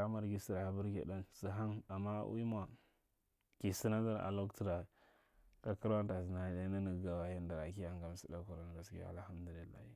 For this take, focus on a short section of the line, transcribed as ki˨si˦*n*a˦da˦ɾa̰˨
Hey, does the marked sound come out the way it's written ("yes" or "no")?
yes